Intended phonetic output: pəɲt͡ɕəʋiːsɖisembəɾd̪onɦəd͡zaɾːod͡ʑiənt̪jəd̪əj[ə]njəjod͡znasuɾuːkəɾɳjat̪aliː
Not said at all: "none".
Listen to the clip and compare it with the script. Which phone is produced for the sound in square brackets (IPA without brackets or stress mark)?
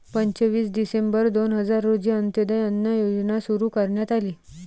ə